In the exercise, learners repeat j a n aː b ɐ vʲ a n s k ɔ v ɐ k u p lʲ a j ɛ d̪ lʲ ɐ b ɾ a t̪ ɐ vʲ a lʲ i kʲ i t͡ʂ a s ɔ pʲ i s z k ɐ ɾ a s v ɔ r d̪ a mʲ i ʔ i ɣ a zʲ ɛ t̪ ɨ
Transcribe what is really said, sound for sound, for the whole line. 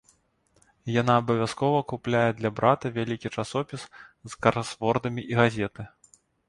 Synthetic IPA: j a n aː b ɐ vʲ a s k ɔ v ɐ k u p lʲ a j ɛ d̪ lʲ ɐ b ɾ a t̪ ɐ vʲ a lʲ i kʲ i t͡ʂ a s ɔ pʲ i s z k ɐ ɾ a s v ɔ r d̪ ɐ mʲ i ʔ i ɣ a zʲ ɛ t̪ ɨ